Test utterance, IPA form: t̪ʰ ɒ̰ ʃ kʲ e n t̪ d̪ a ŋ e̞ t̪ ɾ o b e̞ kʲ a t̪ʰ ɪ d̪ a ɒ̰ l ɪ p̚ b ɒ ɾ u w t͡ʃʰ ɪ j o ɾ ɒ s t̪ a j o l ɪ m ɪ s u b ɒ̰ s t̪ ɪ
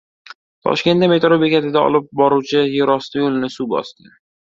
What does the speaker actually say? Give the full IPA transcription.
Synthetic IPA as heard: t̪ʰ ɒ̰ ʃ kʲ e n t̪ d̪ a m e̞ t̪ ɾ o b e̞ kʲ a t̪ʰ ɪ d̪ a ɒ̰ l ɪ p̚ b ɒ ɾ u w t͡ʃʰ ɪ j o ɾ ɒ s t̪ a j o l ɪ n ɪ s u b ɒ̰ s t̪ ɪ